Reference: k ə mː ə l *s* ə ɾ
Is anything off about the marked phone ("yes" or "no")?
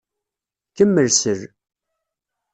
no